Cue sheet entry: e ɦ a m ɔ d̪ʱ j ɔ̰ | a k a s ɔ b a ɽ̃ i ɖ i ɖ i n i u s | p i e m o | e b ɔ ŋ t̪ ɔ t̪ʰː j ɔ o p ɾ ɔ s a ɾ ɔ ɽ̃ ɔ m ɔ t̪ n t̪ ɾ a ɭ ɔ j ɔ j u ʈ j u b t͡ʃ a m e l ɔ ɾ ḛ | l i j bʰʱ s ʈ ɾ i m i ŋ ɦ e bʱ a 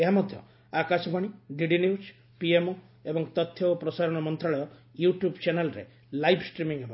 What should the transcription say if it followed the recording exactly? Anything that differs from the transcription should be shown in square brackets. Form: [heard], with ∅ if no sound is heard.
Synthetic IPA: e ɦ a m ɔ d̪ʱ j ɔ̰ | a k a s ɔ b a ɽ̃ i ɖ i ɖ i n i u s | p i e m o | e b ɔ ŋ t̪ ɔ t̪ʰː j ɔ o p ɾ ɔ s a ɾ ɔ ɽ̃ ɔ m ɔ [∅] n t̪ ɾ a ɭ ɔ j ɔ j u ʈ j u b t͡ʃ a [n] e l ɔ ɾ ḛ | l [a] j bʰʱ s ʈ ɾ i m i ŋ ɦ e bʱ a

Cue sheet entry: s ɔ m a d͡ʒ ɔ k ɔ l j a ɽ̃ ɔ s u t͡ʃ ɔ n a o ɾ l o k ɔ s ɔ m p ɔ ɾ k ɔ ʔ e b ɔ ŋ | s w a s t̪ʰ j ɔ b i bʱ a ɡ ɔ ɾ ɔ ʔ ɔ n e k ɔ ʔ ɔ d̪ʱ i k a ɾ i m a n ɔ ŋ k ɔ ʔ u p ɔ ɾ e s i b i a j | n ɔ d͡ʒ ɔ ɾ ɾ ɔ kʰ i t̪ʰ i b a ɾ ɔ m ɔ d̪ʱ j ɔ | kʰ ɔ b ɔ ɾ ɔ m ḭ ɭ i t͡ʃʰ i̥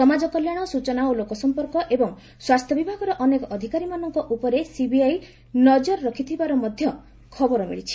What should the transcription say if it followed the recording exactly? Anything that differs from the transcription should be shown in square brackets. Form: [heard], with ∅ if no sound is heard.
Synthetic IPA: s ɔ m a d͡ʒ ɔ k ɔ l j a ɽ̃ ɔ s u t͡ʃ ɔ n a o [∅] l o k ɔ s ɔ m p ɔ ɾ k ɔ ʔ e b ɔ ŋ | s w a s t̪ʰ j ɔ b i bʱ a ɡ ɔ ɾ ɔ ʔ ɔ n e k ɔ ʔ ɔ d̪ʱ i k a ɾ i m a n ɔ ŋ k ɔ ʔ u p ɔ ɾ e s i b i a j | n ɔ d͡ʒ ɔ ɾ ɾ ɔ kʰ i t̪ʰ i b a ɾ ɔ m ɔ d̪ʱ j ɔ | kʰ ɔ b ɔ ɾ ɔ m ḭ ɭ i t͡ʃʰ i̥

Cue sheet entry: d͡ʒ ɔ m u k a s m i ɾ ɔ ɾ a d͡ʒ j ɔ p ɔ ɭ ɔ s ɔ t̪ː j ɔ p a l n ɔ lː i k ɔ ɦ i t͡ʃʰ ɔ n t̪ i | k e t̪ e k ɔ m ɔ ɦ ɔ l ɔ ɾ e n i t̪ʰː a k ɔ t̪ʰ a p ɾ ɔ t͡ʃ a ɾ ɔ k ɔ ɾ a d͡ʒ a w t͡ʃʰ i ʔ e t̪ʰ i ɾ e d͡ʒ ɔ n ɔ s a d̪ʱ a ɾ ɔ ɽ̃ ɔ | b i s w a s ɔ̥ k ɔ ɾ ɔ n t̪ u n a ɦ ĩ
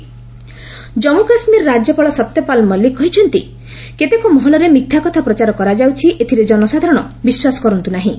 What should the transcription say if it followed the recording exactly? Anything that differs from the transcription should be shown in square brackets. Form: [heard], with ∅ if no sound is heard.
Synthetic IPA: d͡ʒ ɔ m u k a s m i ɾ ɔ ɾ a d͡ʒ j ɔ p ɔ ɭ ɔ s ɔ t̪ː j ɔ p a l [m] ɔ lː i k ɔ ɦ i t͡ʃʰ ɔ n t̪ i | k e t̪ e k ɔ m ɔ ɦ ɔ l ɔ ɾ e [m] i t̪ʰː a k ɔ t̪ʰ a p ɾ ɔ t͡ʃ a ɾ ɔ k ɔ ɾ a d͡ʒ a w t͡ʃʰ i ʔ e t̪ʰ i ɾ e d͡ʒ ɔ n ɔ s a d̪ʱ a ɾ ɔ ɽ̃ ɔ | b i s w a s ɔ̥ k ɔ ɾ ɔ n t̪ u n a ɦ ĩ

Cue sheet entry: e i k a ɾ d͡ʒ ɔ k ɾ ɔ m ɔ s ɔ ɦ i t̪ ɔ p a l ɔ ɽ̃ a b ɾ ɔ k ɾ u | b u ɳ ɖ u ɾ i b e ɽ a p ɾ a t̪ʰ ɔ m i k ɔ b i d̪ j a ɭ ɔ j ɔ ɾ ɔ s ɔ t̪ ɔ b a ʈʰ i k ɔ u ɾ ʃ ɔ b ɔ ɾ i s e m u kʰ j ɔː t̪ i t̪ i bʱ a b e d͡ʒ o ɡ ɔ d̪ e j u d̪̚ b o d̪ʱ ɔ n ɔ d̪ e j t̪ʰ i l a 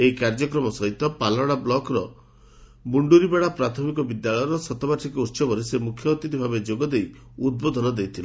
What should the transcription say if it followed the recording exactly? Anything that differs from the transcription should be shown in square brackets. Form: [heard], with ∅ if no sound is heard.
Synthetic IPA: e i k a ɾ d͡ʒ ɔ k ɾ ɔ m ɔ s ɔ ɦ i t̪ ɔ p a l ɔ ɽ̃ a b [l] ɔ k ɾ [ɔ] | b u ɳ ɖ u ɾ i b e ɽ a p ɾ a t̪ʰ ɔ m i k ɔ b i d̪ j a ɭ ɔ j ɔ ɾ ɔ s ɔ t̪ ɔ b a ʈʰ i k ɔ u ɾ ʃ ɔ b ɔ ɾ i s e m u kʰ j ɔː t̪ i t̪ i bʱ a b e d͡ʒ o ɡ ɔ d̪ e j u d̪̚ b o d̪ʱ ɔ n ɔ d̪ e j t̪ʰ i l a

